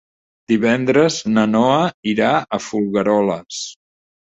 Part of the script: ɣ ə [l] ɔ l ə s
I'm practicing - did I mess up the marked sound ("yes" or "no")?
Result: yes